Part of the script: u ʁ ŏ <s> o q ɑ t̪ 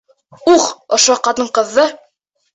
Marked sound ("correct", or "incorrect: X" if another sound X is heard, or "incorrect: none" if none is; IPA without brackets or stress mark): incorrect: ʃ